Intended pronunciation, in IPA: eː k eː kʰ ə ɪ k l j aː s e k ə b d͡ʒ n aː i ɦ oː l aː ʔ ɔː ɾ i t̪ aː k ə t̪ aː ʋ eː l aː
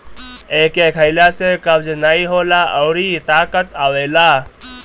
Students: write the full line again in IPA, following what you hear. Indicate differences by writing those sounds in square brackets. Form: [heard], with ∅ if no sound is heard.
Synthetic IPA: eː k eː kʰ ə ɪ [∅] l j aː s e k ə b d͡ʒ n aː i ɦ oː l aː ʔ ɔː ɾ i t̪ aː k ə t̪ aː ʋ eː l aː